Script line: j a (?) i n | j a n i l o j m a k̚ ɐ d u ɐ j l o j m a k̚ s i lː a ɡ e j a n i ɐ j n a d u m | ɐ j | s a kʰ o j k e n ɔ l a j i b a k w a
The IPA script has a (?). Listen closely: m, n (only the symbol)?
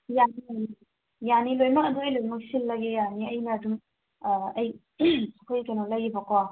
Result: n